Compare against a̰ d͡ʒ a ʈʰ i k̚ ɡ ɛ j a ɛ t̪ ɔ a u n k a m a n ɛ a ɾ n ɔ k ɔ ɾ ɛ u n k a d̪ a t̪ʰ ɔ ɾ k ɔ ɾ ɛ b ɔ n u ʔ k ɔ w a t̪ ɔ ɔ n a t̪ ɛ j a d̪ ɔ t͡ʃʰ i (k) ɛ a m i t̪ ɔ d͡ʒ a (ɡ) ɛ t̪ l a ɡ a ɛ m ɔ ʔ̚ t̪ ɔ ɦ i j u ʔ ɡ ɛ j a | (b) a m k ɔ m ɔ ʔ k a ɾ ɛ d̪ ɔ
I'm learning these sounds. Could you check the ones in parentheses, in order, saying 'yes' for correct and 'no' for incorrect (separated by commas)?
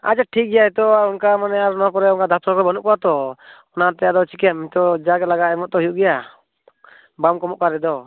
yes, yes, yes